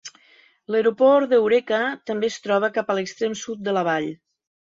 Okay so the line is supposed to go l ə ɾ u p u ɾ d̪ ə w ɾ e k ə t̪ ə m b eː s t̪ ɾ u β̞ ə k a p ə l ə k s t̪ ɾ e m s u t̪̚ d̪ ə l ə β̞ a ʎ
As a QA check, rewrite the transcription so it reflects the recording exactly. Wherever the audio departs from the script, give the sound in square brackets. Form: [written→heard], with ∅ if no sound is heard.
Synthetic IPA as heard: l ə ɾ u p [u→ɔ] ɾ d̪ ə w ɾ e k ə t̪ ə m b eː s t̪ ɾ [u→ɔ] β̞ ə k a p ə l ə k s t̪ ɾ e m s u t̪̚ d̪ ə l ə β̞ a ʎ